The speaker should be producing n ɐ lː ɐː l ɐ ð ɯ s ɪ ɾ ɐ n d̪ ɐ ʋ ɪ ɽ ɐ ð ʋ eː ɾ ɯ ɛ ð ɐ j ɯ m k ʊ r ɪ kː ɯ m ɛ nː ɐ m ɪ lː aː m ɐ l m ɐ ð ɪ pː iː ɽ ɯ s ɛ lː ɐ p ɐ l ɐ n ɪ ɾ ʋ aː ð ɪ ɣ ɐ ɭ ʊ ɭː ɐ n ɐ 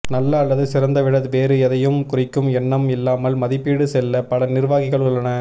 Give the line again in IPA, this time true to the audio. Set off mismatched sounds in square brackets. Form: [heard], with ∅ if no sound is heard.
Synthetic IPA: n ɐ lː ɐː [lː] ɐ ð ɯ s ɪ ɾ ɐ n d̪ ɐ ʋ ɪ ɽ ɐ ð ʋ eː ɾ ɯ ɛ ð ɐ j ɯ m k ʊ r ɪ kː ɯ m ɛ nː ɐ m ɪ lː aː m ɐ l m ɐ ð ɪ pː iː ɽ ɯ s ɛ lː ɐ p ɐ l ɐ n ɪ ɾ ʋ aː [ɣ] ɪ ɣ ɐ ɭ ʊ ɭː ɐ n ɐ